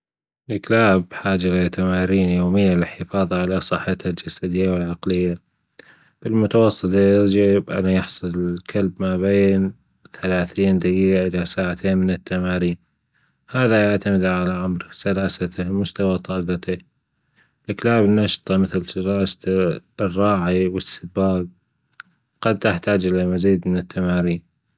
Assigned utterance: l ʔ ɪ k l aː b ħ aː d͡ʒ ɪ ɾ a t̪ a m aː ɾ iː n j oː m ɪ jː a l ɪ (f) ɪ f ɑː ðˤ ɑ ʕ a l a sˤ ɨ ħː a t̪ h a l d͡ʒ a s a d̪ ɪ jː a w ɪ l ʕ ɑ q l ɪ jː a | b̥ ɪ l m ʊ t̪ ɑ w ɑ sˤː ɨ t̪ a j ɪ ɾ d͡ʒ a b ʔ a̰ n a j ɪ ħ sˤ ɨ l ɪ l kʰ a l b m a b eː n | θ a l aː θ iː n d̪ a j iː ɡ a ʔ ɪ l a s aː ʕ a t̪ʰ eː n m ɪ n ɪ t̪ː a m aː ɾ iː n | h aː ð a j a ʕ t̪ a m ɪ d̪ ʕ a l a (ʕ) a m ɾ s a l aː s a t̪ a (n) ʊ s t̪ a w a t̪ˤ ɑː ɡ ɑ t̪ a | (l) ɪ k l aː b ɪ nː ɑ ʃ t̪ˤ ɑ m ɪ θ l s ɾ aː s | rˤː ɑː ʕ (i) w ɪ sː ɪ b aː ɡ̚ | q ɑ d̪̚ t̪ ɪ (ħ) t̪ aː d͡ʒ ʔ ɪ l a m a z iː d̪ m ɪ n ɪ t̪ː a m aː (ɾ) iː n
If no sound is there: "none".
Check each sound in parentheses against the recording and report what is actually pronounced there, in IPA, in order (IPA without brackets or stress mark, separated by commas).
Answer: ħ, ʕ, m, l, i, ħ, ɾ